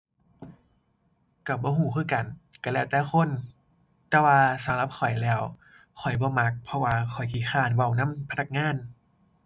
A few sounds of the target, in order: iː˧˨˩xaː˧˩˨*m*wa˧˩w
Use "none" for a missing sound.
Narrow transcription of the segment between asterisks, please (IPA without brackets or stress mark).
n